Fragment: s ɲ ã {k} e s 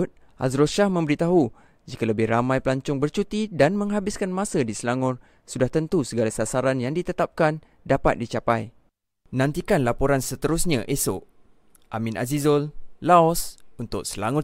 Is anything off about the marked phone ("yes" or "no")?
yes